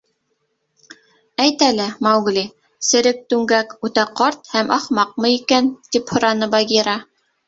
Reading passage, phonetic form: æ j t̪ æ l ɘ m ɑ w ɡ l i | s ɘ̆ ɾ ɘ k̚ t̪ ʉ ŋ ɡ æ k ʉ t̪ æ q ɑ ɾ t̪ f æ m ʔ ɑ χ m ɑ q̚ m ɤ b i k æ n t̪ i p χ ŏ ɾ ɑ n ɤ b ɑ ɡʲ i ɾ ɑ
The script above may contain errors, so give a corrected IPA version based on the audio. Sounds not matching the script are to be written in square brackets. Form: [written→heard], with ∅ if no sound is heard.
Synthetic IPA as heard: æ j t̪ æ l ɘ m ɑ w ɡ l i | s ɘ̆ ɾ ɘ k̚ t̪ ʉ ŋ ɡ æ k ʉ t̪ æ q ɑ ɾ t̪ [f→h] æ m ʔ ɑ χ m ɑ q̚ m ɤ [b→∅] i k æ n t̪ i p [χ→h] ŏ ɾ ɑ n ɤ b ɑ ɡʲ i ɾ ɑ